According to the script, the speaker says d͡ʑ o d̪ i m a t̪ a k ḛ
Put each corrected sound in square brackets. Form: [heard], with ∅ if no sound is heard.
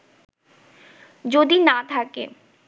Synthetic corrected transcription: d͡ʑ o d̪ i [n] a [t̪ʰ] a k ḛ